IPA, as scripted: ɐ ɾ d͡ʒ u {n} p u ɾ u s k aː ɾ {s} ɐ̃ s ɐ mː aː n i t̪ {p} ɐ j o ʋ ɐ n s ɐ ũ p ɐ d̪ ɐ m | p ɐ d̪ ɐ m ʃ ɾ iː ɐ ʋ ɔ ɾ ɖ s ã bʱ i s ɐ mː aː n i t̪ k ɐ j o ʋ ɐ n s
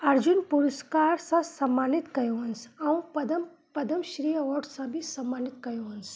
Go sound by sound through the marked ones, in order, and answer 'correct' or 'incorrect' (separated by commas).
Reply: correct, correct, incorrect